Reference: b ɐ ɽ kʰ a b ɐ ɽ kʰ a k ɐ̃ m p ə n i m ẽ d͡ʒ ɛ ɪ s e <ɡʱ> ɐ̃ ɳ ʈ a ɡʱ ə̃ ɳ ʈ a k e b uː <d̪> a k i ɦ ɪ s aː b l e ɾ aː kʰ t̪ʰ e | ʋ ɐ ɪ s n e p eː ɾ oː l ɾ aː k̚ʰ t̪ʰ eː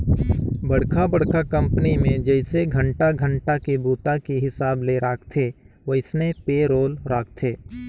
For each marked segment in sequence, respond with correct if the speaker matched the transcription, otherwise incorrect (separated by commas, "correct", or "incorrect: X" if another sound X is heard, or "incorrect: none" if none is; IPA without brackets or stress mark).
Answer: correct, incorrect: t̪